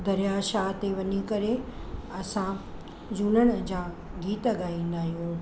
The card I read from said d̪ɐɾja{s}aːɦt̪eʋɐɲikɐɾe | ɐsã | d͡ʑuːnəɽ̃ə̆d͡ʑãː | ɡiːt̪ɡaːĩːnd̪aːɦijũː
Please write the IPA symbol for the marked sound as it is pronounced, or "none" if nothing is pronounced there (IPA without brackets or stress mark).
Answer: ʃ